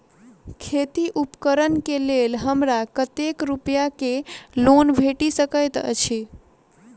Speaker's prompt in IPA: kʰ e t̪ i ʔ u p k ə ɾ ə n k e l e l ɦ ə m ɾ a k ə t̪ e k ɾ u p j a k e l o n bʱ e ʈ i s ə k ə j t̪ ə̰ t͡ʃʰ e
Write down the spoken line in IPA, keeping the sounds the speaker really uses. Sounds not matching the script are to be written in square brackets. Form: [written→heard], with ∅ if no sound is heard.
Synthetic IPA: kʰ e t̪ i ʔ u p k ə ɾ ə n k e l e l ɦ ə m ɾ a k ə t̪ e k ɾ u p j a k e l o n bʱ e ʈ i s ə k ə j t̪ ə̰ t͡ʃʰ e